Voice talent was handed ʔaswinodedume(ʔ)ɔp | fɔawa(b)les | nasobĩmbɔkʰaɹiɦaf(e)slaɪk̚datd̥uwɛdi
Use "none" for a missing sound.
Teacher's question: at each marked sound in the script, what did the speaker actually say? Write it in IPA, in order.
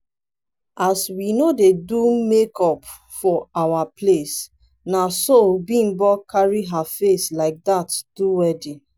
k, p, e

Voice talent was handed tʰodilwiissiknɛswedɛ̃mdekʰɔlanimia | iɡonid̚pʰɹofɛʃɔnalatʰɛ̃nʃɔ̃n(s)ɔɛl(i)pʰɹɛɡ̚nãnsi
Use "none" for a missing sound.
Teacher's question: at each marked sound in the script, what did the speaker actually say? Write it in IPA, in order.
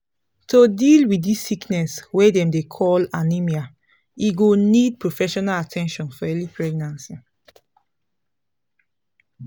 f, i

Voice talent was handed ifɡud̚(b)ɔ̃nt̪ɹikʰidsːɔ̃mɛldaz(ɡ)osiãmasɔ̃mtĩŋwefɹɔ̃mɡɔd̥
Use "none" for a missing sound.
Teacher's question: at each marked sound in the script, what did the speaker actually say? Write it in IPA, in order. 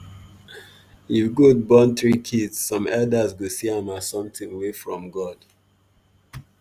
b, ɡ

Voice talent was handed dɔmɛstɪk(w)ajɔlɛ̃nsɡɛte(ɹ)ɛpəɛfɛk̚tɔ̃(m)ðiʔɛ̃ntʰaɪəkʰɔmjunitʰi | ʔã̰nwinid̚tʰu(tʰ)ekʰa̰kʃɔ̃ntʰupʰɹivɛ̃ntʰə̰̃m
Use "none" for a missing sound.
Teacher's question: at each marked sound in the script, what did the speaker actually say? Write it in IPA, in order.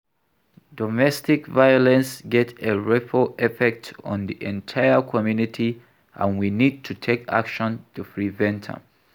v, ɹ, n, tʰ

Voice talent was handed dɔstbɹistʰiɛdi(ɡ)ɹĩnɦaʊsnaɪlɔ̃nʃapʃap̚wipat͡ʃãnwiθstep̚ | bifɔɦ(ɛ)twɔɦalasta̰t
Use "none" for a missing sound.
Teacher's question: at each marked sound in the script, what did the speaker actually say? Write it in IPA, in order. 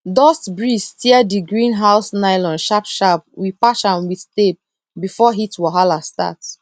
ɡ, i

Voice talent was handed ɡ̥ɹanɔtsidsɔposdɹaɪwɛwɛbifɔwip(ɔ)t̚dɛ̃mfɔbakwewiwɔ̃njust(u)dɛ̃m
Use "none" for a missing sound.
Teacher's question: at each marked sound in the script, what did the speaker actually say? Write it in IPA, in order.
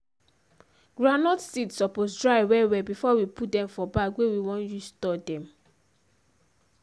u, ɔ

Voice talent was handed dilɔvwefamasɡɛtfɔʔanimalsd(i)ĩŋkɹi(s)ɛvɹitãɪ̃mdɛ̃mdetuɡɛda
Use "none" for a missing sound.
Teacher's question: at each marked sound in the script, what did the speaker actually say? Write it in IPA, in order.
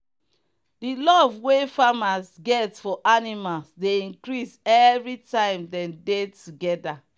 e, s

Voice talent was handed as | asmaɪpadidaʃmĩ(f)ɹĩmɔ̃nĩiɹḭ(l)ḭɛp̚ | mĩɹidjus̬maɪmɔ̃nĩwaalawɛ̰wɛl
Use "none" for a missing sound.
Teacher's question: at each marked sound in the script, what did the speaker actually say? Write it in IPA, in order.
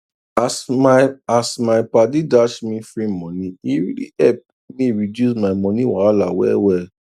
f, l

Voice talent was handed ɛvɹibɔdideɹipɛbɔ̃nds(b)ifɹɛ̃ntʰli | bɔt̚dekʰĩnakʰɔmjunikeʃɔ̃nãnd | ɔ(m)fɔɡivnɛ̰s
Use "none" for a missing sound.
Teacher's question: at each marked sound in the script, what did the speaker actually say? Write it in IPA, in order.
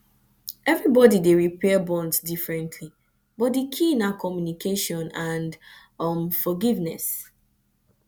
d, m

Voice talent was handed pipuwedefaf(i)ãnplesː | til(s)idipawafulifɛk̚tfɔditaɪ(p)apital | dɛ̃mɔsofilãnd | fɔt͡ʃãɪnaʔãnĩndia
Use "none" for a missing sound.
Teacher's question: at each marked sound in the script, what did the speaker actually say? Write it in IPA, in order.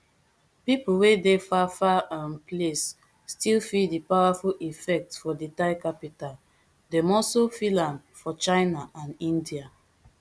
a, f, k

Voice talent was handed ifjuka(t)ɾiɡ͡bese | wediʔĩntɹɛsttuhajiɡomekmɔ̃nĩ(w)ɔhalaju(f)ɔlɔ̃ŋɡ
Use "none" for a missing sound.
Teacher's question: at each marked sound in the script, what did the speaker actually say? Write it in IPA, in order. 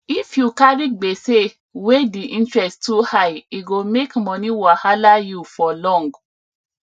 none, w, f

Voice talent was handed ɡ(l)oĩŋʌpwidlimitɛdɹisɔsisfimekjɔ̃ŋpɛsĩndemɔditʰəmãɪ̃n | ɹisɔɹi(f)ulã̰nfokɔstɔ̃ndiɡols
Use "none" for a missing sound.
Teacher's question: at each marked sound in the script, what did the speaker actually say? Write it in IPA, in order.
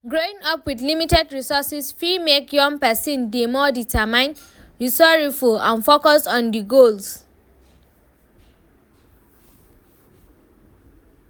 ɹ, f

